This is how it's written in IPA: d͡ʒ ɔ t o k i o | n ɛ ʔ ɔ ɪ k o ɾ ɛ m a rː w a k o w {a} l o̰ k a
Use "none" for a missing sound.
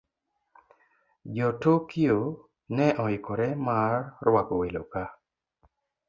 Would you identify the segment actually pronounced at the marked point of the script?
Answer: e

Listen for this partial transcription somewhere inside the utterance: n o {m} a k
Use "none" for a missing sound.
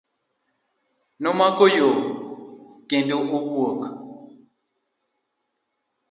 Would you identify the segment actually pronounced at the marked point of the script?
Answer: m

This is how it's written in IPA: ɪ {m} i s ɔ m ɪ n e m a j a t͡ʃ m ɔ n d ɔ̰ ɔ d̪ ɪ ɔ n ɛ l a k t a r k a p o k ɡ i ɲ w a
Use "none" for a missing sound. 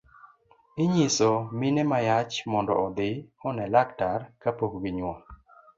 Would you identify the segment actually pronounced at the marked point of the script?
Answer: ɲ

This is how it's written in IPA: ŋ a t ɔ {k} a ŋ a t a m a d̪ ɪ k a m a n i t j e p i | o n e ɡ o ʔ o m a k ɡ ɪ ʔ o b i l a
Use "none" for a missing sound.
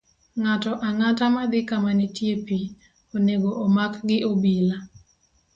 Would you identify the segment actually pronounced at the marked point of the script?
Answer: ʔ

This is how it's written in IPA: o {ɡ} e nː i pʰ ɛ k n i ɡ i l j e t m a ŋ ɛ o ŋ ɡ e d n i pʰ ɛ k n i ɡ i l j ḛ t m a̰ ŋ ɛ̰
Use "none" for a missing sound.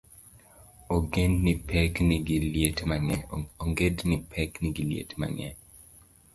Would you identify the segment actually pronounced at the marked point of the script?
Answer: ɡ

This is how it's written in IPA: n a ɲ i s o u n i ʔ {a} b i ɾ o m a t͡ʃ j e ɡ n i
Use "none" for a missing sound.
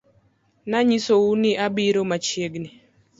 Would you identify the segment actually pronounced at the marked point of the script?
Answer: a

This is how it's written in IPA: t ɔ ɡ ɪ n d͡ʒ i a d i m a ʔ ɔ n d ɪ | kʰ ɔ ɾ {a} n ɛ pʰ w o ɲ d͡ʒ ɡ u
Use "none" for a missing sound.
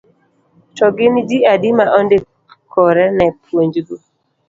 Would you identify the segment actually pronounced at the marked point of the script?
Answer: ɛ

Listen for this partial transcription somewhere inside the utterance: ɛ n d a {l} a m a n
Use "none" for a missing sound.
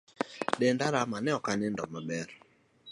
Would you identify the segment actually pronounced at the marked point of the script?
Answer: ɾ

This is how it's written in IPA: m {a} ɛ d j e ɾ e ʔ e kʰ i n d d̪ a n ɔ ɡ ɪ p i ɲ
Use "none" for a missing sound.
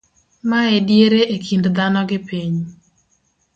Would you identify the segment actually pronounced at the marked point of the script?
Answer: a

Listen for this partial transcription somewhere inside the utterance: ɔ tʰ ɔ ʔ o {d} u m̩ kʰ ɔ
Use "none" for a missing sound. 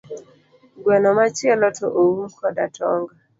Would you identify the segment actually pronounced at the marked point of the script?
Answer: none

